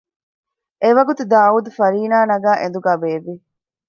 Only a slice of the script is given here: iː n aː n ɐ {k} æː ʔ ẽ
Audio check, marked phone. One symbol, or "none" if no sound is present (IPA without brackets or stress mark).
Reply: ɡ